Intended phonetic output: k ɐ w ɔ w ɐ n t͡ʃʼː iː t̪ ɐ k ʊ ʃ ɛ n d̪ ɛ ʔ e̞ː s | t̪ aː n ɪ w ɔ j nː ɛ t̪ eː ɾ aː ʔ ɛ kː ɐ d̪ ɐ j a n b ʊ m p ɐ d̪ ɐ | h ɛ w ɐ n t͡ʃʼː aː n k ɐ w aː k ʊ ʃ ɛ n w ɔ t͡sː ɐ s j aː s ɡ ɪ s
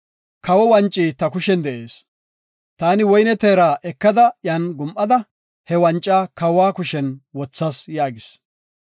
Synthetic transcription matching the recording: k ɐ w ɔ w ɐ n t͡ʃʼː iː t̪ ɐ k ʊ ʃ ɛ n d̪ ɛ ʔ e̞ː s | t̪ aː n ɪ w ɔ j n ɛ t̪ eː ɾ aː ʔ ɛ kː ɐ d̪ ɐ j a n ɡ ʊ m ʔ ɐ d̪ ɐ | h ɛ w ɐ n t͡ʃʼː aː k ɐ w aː k ʊ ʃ ɛ n w ɔ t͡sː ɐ s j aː ɡ ɪ s